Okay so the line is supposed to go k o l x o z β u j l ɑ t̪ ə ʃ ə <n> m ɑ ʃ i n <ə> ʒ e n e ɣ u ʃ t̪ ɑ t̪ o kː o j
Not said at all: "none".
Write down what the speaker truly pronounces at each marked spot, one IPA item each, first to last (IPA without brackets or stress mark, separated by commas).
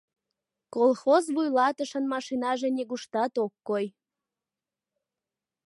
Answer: n, ɑ